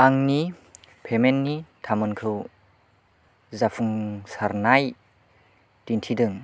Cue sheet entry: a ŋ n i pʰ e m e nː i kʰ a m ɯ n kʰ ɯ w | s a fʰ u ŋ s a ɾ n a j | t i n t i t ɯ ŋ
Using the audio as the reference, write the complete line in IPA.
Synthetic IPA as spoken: a ŋ n i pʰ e m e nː i tʰ a m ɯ n kʰ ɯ w | z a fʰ u ŋ s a ɾ n a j | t i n tʰ i d ɯ ŋ